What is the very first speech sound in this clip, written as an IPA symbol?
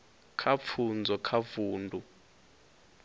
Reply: kʰ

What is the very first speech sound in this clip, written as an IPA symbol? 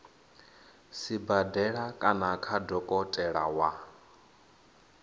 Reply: s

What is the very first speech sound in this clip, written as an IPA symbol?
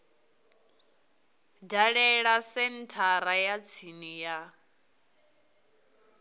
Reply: d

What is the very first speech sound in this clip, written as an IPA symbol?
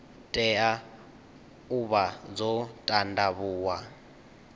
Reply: tʼ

